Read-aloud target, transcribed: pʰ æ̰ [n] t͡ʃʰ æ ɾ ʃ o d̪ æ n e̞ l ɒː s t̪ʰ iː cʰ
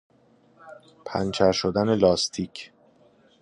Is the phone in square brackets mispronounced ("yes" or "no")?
no